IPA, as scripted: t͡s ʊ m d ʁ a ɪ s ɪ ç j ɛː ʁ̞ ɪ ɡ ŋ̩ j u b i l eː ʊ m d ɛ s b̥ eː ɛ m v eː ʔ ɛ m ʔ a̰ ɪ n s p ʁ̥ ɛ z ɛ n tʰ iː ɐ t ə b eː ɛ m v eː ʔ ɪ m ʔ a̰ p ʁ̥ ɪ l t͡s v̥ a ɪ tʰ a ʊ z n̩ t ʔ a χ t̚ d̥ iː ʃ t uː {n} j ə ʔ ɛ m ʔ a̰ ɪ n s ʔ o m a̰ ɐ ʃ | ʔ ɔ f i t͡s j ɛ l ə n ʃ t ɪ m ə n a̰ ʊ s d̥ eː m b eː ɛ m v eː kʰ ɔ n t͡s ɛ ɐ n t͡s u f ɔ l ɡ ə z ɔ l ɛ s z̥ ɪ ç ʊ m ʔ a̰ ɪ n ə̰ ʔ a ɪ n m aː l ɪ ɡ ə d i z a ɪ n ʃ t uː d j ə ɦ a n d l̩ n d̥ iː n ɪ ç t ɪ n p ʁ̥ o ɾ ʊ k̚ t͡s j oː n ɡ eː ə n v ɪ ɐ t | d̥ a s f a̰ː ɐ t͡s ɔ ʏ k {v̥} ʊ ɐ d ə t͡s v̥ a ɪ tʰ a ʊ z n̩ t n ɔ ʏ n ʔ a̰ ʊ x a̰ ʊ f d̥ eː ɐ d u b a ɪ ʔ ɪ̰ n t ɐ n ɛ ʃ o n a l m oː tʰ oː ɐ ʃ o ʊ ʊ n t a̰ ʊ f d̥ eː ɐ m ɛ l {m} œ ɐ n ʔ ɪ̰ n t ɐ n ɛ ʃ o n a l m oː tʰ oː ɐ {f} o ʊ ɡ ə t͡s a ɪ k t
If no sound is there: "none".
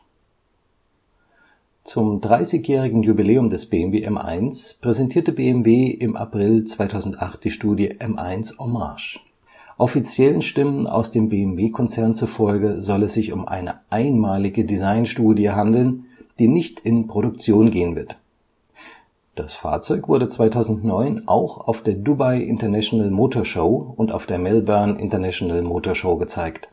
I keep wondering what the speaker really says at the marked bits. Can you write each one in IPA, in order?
d, v̥, b, ʃ

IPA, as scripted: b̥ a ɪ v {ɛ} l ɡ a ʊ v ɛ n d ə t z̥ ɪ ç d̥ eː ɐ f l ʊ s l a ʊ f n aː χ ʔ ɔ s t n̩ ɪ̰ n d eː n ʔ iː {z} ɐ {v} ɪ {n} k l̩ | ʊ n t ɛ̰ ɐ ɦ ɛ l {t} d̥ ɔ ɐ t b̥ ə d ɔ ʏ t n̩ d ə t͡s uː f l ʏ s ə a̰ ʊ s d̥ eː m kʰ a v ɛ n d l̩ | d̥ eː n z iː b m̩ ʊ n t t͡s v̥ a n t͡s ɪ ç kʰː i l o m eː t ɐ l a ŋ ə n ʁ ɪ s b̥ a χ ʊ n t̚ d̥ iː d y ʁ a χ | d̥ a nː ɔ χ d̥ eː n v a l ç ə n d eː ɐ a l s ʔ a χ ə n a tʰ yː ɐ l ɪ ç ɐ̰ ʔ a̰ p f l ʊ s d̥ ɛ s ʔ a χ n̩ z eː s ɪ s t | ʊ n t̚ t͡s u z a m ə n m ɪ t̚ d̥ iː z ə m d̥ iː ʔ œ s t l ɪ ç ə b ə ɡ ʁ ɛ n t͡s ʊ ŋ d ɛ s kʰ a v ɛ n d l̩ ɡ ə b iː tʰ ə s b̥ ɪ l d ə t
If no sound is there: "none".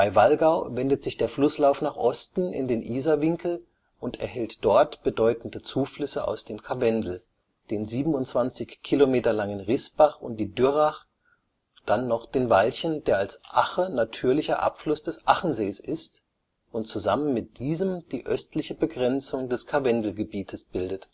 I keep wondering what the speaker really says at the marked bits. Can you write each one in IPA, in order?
a, z, v, ŋ, t

